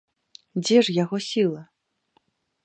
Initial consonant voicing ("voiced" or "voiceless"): voiced